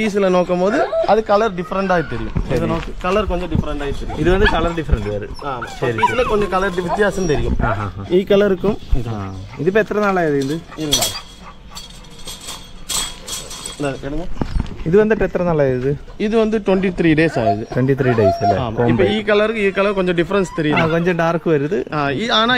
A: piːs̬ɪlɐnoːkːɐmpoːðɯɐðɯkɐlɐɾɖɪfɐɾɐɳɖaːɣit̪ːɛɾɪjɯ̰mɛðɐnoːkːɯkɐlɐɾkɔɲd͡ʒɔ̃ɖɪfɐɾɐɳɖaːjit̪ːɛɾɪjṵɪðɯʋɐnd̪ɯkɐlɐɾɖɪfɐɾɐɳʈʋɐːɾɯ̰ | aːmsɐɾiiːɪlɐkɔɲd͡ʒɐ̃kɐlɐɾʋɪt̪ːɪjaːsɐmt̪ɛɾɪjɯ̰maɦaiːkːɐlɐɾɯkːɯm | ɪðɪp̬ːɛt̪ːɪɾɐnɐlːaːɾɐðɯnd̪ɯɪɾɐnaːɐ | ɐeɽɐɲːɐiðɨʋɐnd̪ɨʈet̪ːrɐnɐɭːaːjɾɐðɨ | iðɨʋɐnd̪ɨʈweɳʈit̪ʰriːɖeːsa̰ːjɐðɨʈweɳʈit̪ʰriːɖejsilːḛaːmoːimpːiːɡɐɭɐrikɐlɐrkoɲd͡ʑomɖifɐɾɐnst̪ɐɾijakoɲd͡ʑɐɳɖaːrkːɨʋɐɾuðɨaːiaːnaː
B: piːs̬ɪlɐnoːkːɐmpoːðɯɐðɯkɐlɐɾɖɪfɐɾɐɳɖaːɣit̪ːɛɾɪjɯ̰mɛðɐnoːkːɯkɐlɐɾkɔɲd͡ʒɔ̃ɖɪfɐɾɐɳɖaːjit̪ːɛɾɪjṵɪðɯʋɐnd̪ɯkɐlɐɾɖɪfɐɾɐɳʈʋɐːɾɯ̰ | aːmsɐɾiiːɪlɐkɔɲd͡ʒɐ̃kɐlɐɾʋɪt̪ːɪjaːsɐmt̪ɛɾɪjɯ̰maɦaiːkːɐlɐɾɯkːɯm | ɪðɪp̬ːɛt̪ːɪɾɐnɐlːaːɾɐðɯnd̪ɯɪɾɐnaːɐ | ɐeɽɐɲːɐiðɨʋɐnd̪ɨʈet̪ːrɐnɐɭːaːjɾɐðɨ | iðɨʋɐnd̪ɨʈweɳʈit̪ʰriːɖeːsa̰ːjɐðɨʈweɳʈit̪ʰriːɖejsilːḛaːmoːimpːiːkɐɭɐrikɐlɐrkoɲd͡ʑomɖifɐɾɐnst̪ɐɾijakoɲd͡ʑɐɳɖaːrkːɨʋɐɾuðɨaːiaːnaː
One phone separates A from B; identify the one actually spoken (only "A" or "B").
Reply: B